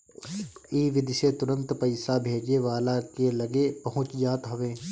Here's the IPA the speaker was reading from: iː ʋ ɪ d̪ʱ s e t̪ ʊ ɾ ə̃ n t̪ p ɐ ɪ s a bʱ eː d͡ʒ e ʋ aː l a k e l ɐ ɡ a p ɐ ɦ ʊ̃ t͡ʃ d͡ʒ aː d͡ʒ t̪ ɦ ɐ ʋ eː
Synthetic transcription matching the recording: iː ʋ ɪ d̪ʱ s e t̪ ʊ ɾ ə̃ n t̪ p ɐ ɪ s a bʱ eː d͡ʒ e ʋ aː l a k e l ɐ ɡ e p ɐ ɦ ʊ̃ t͡ʃ d͡ʒ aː t̪ ɦ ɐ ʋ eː